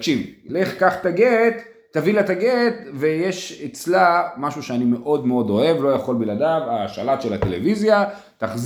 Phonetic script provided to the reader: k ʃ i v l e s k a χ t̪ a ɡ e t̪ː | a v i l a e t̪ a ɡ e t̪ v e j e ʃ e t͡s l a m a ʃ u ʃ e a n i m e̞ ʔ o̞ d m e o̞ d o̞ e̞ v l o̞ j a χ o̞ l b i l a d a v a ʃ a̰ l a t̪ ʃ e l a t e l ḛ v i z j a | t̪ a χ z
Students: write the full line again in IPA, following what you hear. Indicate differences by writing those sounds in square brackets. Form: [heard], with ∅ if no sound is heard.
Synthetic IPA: k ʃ i v l e [χ] k a χ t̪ a ɡ e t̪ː | a v i l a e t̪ a ɡ e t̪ v e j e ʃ e t͡s l a m a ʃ u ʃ e a n i m e̞ ʔ o̞ d m e o̞ d o̞ e̞ v l o̞ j a χ o̞ l b i l a d a v a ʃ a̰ l a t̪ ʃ e l a t e l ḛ v i z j a | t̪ a χ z